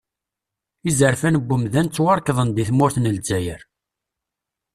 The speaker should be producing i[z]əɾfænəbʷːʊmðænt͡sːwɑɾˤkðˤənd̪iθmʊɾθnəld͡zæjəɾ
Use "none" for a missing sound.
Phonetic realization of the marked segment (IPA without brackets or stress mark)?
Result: z